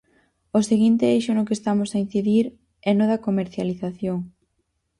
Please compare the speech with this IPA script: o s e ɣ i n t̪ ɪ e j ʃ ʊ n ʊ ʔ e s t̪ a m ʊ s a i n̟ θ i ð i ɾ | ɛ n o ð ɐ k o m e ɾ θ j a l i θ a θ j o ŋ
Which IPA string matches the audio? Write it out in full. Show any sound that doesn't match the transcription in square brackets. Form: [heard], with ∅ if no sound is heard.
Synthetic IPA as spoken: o s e ɣ i n t̪ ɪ e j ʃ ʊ n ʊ [k] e s t̪ a m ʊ s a i n̟ θ i ð i ɾ | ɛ n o ð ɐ k o m e ɾ θ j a l i θ a θ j o ŋ